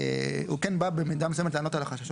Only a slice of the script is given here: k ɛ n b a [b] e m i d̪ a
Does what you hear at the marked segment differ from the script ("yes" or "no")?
no